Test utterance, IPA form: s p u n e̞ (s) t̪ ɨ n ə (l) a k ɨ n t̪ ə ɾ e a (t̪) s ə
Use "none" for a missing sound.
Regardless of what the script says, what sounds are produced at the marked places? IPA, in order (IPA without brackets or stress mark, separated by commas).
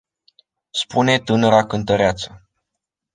none, ɾ, t̪